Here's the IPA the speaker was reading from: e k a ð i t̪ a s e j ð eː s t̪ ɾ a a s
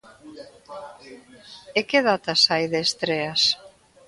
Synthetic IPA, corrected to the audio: e k e ð a t̪ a s a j ð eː s t̪ ɾ e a s